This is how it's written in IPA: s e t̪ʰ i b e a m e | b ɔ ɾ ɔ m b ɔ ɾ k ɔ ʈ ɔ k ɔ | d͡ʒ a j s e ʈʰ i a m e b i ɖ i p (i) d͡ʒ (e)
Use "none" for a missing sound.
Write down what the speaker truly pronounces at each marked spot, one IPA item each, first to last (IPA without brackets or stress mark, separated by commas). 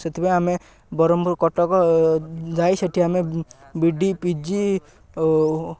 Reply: i, i